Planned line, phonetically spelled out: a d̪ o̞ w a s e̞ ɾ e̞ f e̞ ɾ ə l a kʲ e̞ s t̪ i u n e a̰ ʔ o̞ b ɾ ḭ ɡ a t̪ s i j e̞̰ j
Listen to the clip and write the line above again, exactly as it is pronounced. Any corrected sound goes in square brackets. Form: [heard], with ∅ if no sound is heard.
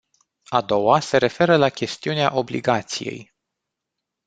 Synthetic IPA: a d̪ o̞ w a s e̞ ɾ e̞ f e̞ ɾ ə l a kʲ e̞ s t̪ i u n e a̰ ʔ o̞ b [l] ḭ ɡ a t̪ s i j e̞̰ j